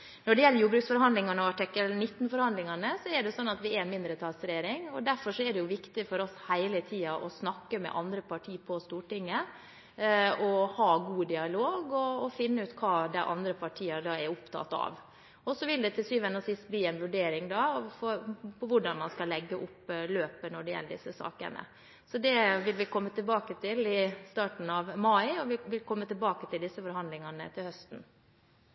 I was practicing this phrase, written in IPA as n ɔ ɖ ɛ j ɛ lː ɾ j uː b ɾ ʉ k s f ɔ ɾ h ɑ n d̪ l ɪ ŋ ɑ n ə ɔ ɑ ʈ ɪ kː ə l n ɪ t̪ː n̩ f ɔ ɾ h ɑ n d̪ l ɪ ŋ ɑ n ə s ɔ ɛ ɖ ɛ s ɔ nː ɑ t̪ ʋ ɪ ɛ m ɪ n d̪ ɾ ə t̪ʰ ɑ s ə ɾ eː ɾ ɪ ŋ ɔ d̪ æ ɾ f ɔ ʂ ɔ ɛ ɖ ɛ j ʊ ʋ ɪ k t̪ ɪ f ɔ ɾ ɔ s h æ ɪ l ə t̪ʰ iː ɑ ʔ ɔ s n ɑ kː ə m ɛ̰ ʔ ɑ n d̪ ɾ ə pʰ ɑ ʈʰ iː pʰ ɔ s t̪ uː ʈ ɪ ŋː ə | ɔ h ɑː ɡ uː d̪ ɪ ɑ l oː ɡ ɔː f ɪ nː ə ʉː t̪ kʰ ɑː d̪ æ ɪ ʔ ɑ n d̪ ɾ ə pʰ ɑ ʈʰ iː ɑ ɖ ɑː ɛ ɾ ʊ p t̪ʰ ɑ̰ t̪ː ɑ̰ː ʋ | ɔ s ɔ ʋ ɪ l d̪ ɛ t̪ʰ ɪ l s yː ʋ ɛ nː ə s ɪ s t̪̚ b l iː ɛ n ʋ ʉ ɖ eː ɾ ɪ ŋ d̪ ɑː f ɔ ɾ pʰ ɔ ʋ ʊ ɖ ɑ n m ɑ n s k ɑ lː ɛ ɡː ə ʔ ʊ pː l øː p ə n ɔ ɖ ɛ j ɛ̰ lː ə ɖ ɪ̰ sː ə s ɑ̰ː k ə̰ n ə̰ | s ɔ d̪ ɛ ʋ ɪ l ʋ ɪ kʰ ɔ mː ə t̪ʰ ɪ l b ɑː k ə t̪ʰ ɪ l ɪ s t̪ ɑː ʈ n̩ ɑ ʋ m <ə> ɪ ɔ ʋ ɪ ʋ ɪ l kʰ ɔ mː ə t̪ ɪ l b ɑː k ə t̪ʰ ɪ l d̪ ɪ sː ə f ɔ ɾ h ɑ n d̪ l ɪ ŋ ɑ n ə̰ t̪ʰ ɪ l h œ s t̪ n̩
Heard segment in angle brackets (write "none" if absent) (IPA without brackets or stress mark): ɑ